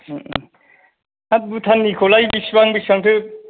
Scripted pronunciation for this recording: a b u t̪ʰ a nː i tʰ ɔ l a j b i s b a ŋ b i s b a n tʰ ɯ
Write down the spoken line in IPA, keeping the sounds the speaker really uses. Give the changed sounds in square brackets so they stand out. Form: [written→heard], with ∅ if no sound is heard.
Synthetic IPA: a b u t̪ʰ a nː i [tʰ→kʰ] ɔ l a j b i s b a ŋ b i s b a [n→ŋ] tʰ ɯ